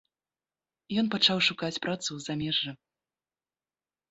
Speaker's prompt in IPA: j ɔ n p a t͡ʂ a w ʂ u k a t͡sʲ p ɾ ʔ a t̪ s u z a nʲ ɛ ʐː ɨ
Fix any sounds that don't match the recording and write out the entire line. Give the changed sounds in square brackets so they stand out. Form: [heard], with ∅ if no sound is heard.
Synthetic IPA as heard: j ɔ n p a t͡ʂ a w ʂ u k a t͡sʲ p ɾ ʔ a t̪ s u z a [mʲ] ɛ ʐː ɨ